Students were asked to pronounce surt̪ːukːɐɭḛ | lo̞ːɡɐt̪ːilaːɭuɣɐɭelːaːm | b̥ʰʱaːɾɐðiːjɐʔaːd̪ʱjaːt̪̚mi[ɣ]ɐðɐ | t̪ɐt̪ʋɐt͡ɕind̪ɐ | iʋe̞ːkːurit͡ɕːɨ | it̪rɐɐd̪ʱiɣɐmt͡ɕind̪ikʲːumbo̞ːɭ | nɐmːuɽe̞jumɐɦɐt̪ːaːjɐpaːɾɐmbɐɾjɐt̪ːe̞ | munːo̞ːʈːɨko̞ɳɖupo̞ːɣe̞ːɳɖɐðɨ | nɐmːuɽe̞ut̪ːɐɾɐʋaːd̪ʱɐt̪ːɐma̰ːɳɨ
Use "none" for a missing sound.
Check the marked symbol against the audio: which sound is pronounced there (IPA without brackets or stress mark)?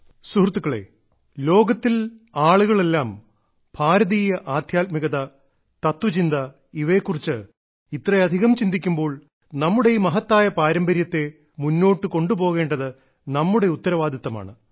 ɣ